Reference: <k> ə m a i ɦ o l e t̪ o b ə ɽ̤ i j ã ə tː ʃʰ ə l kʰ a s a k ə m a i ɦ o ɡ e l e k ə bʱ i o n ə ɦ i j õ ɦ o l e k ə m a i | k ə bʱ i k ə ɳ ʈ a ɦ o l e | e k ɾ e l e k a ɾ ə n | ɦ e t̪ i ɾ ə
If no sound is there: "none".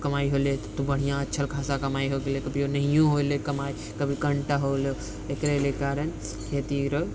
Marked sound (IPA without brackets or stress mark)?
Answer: k